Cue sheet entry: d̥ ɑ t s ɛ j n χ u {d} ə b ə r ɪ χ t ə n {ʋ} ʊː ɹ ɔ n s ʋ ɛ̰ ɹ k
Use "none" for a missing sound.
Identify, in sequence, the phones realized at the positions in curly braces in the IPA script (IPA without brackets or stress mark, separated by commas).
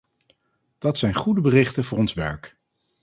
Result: d, v